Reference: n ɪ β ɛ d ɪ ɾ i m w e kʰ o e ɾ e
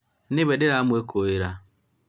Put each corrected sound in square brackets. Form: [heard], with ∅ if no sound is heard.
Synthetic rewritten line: n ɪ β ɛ d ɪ ɾ [a] m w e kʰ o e ɾ [a]